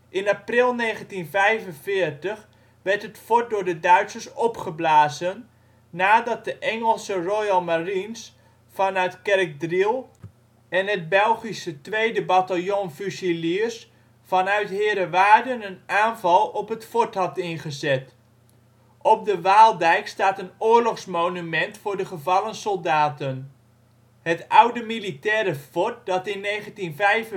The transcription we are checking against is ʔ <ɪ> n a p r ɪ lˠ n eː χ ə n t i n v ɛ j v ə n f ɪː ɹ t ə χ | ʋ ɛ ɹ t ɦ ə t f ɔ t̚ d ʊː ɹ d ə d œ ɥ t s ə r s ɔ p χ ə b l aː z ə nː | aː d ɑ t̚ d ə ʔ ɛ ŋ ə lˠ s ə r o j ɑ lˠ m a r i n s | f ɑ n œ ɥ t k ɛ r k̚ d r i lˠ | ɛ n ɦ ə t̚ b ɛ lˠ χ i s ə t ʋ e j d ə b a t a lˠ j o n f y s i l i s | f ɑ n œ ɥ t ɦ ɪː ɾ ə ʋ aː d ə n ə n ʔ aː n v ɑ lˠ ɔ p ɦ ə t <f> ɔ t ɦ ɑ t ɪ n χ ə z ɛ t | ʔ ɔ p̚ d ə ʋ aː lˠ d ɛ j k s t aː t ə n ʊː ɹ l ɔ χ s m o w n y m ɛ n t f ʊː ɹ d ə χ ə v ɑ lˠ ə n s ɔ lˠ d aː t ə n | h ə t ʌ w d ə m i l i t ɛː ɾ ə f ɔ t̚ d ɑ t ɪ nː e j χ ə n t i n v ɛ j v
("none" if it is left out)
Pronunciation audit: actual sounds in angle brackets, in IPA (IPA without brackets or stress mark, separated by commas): ɪ, f